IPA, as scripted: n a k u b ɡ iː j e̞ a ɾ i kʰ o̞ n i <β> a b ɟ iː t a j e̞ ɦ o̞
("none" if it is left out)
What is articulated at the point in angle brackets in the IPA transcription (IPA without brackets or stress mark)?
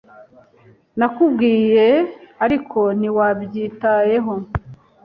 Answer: w